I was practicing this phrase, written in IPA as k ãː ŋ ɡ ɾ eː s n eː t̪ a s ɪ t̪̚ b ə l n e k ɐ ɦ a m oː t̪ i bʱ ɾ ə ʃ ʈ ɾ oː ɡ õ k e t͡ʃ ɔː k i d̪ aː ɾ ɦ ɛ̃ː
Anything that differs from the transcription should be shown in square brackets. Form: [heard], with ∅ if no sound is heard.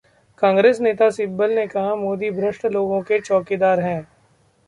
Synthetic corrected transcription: k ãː ŋ ɡ ɾ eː s n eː t̪ a s ɪ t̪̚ b ə l n e k ɐ ɦ a m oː [d̪] i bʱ ɾ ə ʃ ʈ [l] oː ɡ õ k e t͡ʃ ɔː k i d̪ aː ɾ ɦ ɛ̃ː